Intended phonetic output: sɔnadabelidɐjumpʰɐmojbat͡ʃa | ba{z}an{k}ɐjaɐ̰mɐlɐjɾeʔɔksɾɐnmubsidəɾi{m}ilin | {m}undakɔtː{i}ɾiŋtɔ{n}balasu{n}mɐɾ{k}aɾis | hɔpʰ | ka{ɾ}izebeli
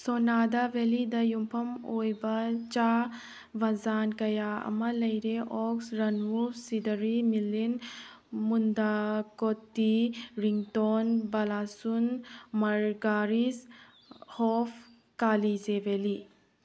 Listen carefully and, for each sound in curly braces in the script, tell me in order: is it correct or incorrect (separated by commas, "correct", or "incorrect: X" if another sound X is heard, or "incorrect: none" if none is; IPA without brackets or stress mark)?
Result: correct, correct, correct, correct, correct, correct, correct, incorrect: ɡ, incorrect: l